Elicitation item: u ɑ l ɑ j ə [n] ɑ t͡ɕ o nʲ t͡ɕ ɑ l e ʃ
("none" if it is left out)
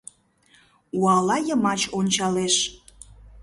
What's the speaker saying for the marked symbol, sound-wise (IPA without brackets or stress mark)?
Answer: m